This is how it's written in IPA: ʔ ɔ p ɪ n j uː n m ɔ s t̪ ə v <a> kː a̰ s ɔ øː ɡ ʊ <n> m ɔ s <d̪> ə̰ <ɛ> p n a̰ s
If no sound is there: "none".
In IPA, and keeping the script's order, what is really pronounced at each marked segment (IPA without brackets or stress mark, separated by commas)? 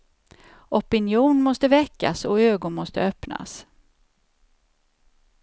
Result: ɛ, n, t̪, œ